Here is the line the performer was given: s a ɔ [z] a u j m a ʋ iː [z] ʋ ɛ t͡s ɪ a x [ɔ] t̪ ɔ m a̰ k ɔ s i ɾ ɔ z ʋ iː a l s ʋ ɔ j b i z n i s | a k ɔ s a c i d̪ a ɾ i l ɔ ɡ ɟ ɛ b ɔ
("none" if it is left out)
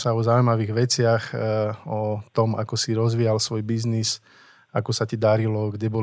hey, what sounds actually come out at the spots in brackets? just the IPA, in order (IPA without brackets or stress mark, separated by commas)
z, ɣ, ɔ